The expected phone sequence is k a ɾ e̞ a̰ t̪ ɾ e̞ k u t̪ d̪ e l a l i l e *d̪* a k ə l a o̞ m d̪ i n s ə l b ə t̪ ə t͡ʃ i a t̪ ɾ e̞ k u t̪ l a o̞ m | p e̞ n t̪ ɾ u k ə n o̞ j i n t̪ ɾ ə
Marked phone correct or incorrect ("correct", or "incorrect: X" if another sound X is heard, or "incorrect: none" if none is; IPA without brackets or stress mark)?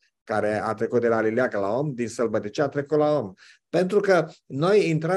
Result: incorrect: none